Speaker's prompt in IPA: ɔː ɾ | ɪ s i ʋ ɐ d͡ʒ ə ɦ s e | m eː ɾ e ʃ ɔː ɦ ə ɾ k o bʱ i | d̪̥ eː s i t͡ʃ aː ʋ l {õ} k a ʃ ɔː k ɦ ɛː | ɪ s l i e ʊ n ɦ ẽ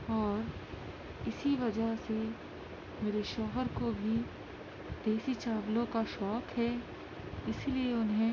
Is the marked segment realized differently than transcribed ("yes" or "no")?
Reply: no